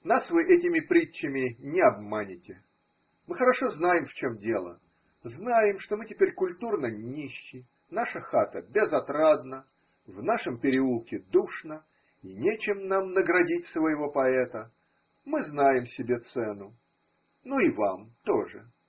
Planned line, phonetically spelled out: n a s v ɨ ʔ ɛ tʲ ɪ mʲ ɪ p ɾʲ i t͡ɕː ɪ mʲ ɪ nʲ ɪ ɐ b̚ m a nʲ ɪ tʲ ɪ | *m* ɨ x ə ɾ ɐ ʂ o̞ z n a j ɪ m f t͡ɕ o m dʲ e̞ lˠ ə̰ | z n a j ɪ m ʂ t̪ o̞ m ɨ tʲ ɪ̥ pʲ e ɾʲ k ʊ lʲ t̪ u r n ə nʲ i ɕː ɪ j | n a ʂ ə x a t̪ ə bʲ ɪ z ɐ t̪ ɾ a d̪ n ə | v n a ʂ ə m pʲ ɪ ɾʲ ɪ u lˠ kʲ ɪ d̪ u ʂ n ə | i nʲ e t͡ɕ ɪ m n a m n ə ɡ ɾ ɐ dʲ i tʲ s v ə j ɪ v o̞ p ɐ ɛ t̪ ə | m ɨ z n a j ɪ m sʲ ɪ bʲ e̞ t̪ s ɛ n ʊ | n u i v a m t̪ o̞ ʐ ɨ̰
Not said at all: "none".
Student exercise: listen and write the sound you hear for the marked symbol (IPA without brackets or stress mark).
m